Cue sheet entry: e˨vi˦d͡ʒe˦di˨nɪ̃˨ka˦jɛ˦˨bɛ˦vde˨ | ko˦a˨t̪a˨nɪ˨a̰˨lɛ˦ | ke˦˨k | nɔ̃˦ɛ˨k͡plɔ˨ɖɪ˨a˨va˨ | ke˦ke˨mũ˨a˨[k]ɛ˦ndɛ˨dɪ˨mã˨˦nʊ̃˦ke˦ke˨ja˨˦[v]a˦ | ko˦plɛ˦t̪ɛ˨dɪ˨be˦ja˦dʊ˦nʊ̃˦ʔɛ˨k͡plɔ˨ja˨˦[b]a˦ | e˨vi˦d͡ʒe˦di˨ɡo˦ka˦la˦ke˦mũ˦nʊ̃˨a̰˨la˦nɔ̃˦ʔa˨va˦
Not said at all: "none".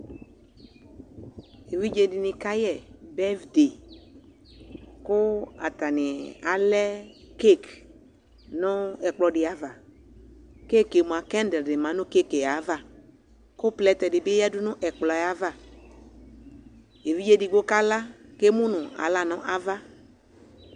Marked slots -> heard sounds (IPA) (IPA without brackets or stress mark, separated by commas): k, v, v